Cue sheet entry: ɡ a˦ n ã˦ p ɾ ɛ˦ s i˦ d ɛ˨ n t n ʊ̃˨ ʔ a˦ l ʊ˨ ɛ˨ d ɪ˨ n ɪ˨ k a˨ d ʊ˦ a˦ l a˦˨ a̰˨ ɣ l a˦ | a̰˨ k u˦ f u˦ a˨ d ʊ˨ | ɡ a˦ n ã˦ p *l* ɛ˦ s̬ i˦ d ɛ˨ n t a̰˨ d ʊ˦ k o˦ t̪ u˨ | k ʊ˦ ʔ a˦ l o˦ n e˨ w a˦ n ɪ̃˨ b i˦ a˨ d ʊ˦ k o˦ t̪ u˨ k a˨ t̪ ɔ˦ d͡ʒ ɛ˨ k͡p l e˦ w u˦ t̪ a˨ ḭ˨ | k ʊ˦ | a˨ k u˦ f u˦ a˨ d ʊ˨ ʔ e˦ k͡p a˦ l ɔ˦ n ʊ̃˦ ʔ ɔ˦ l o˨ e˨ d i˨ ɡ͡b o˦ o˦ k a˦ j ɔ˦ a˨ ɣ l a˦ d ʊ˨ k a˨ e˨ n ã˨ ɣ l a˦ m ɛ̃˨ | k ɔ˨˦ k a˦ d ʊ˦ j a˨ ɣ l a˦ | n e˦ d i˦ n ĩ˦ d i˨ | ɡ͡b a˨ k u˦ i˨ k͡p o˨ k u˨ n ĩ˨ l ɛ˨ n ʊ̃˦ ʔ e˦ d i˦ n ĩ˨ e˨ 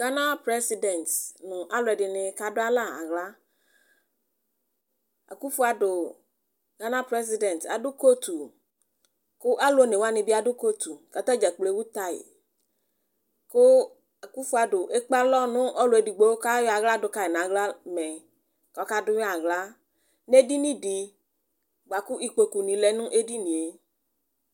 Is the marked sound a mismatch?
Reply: yes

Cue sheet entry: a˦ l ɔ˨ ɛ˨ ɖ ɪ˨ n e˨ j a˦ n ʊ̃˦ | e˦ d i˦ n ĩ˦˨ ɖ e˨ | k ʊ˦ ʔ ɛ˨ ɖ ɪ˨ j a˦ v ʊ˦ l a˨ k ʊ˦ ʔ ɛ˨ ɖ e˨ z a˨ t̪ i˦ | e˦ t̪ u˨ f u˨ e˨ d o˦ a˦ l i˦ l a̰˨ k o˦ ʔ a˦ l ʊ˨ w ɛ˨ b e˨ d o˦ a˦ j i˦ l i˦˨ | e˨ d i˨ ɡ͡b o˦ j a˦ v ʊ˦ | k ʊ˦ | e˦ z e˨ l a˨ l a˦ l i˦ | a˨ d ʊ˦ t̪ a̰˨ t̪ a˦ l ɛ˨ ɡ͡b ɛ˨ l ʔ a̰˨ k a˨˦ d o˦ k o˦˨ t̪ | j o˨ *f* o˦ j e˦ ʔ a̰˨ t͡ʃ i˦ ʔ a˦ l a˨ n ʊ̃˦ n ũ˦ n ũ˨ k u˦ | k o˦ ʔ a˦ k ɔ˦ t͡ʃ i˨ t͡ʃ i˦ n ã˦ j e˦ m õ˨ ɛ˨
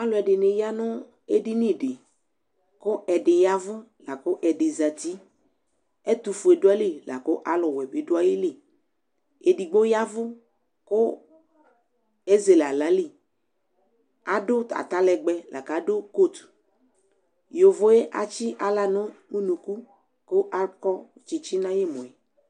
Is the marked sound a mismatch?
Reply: yes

